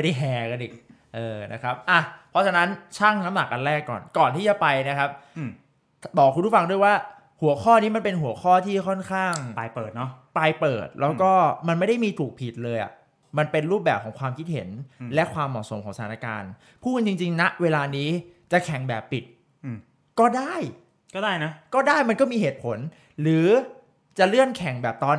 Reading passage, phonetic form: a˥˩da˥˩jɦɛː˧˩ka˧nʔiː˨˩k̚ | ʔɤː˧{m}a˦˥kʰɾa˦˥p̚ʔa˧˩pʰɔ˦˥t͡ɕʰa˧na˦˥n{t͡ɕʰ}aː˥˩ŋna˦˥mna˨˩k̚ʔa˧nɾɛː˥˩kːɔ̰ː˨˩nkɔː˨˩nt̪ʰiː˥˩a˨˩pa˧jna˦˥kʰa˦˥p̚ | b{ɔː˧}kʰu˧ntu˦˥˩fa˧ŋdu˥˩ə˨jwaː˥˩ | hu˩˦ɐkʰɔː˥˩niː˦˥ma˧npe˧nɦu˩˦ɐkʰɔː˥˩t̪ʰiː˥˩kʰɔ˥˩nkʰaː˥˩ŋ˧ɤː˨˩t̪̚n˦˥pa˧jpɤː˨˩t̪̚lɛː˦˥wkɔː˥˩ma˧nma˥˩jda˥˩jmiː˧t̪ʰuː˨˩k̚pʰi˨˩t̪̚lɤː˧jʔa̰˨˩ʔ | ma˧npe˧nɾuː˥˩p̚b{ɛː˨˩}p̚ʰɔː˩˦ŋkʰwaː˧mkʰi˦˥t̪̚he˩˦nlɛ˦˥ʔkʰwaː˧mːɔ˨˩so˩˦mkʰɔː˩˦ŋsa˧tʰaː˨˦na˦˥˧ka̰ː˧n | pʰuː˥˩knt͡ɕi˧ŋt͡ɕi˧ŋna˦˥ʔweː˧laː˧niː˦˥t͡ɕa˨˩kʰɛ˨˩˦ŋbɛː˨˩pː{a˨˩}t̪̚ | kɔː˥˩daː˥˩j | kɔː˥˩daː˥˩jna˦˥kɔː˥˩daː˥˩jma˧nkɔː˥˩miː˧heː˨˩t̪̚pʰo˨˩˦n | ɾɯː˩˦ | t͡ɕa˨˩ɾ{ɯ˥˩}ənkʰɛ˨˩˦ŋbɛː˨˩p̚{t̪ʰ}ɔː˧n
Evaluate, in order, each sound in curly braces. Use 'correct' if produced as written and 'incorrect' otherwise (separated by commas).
incorrect, correct, incorrect, correct, incorrect, correct, incorrect